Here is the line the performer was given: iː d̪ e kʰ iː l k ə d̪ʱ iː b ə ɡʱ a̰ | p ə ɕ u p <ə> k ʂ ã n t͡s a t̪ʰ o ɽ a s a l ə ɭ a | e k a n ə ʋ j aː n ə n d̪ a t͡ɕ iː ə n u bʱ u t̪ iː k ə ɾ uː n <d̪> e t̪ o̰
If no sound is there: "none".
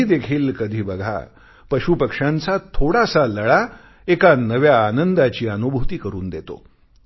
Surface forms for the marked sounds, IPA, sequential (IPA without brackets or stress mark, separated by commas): ə, d̪